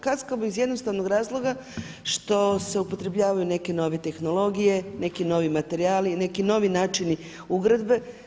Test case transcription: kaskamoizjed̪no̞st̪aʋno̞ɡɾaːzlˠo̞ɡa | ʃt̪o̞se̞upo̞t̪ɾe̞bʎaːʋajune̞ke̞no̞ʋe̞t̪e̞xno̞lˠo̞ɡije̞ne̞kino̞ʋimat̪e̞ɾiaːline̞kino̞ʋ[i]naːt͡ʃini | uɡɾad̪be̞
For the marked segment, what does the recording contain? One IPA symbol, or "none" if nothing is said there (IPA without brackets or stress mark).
i